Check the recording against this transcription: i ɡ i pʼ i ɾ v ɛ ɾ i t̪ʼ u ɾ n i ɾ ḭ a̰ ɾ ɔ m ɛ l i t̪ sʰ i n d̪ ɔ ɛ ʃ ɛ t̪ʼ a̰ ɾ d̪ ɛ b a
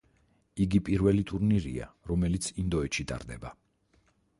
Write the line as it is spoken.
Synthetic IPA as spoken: i ɡ i pʼ i ɾ v ɛ l i t̪ʼ u ɾ n i ɾ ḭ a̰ ɾ ɔ m ɛ l i t̪ sʰ i n d̪ ɔ ɛ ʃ i t̪ʼ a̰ ɾ d̪ ɛ b a